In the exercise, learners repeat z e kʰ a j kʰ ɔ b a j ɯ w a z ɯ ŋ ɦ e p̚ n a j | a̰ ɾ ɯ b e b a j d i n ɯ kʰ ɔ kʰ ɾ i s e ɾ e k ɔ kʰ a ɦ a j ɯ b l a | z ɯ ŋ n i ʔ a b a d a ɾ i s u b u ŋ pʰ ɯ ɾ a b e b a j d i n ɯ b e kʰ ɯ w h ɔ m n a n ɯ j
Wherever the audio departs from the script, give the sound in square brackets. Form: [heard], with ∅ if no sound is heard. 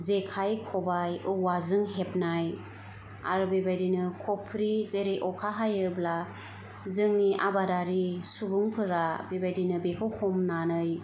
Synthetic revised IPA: z e kʰ a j kʰ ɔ b a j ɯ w a z ɯ ŋ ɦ e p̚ n a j | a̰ ɾ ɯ b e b a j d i n ɯ kʰ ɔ [pʰ] ɾ i [z] e ɾ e [ʔ] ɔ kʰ a ɦ a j ɯ b l a | z ɯ ŋ n i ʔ a b a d a ɾ i s u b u ŋ pʰ ɯ ɾ a b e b a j d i n ɯ b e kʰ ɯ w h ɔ m n a n ɯ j